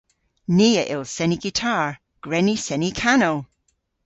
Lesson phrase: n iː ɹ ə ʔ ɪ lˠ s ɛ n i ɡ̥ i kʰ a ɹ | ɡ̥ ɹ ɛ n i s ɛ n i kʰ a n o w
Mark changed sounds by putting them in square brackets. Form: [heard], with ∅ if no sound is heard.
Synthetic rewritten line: n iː [∅] ə ʔ ɪ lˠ s ɛ n i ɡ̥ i [tʰ] a ɹ | ɡ̥ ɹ ɛ n i s ɛ n i kʰ a n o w